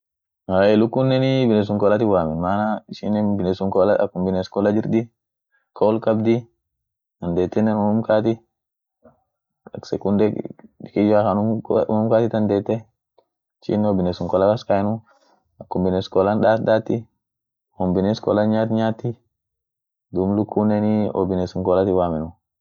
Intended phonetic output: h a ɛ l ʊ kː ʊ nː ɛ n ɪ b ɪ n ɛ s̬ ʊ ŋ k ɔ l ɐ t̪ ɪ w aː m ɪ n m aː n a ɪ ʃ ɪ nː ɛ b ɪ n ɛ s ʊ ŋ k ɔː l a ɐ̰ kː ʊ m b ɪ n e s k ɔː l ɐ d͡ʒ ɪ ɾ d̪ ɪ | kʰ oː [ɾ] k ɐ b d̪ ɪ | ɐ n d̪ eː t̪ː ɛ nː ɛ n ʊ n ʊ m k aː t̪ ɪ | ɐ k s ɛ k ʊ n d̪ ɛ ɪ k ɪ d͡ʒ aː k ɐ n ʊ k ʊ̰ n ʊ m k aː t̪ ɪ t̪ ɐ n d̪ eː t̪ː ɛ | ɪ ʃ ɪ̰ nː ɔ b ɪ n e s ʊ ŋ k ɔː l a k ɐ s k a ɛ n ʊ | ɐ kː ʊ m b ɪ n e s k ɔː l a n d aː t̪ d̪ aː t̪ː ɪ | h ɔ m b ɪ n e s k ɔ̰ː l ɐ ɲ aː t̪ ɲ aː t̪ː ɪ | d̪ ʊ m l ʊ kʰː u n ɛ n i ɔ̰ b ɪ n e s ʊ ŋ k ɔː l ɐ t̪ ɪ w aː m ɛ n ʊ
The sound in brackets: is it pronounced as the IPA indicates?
no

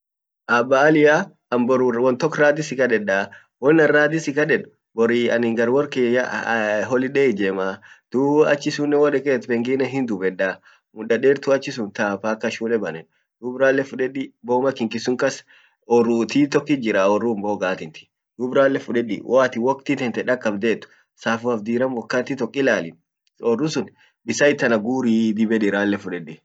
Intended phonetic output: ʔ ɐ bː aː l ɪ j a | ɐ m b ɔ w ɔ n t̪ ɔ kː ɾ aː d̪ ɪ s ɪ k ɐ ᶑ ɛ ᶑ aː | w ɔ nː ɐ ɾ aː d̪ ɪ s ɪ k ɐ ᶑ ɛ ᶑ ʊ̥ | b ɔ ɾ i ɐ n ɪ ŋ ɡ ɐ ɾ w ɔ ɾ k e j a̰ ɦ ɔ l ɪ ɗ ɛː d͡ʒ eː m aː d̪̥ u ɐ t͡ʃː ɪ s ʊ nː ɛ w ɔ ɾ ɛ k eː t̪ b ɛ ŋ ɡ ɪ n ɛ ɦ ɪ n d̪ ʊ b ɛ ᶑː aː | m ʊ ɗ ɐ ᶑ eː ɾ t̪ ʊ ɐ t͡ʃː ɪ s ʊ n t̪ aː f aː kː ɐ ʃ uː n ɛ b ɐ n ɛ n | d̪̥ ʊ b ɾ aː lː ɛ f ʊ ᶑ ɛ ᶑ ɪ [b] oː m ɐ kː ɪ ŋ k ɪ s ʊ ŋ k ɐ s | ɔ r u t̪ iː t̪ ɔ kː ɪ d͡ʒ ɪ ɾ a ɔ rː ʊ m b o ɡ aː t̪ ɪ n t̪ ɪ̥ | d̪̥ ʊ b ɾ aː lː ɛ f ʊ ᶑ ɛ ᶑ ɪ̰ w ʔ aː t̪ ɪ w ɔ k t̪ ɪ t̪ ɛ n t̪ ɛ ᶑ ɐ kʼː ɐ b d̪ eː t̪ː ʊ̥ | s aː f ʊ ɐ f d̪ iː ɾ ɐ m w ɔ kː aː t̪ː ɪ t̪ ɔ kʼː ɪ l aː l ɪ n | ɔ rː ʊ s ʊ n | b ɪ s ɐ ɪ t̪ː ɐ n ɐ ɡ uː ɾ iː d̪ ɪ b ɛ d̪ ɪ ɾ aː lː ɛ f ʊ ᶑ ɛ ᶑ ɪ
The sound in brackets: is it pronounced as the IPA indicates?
yes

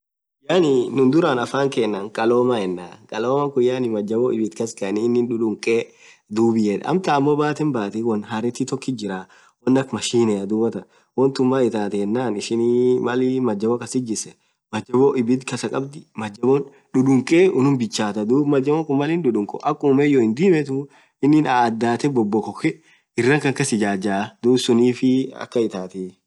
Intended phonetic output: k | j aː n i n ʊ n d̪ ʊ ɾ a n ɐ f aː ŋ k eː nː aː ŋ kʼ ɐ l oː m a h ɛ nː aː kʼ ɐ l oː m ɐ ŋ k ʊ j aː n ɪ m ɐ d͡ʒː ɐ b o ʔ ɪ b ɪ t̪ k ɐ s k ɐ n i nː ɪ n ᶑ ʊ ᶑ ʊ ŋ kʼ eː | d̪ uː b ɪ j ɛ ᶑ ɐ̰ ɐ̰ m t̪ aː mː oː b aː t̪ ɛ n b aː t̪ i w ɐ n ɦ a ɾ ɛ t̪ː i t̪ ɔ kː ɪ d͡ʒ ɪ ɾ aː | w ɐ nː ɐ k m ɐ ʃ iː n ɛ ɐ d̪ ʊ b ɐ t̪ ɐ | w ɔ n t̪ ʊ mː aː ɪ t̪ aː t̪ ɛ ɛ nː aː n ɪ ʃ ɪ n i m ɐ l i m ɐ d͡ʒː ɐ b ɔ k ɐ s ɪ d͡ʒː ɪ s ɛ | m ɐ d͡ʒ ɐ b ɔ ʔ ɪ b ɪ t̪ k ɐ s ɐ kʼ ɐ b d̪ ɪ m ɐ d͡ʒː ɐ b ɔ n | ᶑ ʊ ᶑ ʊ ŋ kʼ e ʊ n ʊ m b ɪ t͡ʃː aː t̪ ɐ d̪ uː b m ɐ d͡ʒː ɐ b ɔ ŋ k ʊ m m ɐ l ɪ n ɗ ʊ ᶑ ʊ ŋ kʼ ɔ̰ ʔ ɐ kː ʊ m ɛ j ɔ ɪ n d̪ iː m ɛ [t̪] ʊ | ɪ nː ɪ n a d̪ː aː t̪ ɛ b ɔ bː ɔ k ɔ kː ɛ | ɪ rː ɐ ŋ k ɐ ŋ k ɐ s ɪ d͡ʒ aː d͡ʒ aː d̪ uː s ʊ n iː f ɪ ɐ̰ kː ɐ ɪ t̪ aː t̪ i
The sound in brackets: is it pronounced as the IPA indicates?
yes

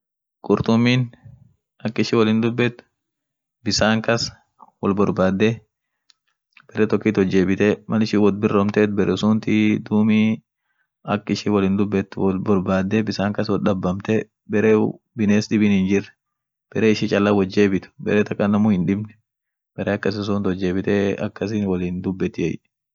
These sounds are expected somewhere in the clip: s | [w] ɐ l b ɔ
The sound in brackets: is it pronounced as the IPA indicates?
yes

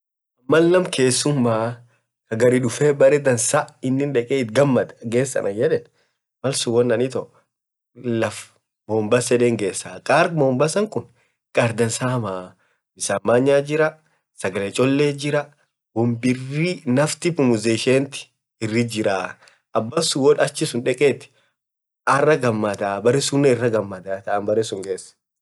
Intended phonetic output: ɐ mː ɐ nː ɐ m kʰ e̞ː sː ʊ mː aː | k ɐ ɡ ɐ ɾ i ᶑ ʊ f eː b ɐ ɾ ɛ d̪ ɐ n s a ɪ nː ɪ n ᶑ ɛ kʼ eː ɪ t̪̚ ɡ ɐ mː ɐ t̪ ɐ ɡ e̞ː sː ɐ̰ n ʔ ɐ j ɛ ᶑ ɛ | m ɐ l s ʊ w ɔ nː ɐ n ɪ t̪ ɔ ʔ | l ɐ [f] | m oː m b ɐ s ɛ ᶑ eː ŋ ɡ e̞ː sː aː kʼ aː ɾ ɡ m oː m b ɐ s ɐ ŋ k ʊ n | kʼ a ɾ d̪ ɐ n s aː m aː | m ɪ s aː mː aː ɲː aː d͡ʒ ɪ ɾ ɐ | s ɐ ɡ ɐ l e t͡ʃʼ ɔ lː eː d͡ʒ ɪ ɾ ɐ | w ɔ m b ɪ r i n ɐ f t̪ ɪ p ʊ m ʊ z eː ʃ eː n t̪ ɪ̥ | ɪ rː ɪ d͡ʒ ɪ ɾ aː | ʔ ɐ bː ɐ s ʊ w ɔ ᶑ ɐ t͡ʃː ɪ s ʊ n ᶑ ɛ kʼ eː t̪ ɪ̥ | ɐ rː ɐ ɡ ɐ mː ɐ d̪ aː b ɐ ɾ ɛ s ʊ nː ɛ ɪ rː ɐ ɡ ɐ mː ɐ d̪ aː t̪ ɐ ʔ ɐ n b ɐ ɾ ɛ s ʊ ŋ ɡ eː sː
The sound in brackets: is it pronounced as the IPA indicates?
yes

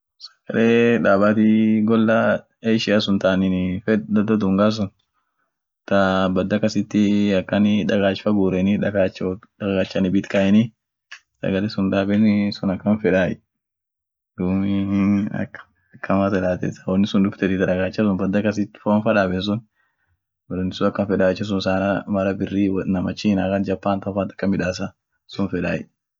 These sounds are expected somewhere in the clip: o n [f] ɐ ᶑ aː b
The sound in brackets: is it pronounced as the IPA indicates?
yes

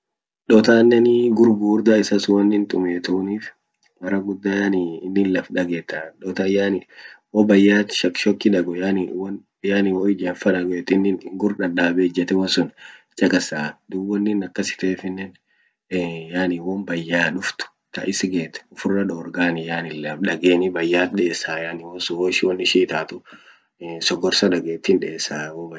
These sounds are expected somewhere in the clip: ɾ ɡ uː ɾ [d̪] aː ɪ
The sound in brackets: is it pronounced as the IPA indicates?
yes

